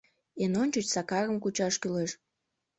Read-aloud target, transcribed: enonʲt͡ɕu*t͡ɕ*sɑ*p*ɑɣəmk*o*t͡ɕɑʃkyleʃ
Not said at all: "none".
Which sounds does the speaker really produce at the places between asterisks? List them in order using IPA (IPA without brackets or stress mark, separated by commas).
t͡ɕ, k, u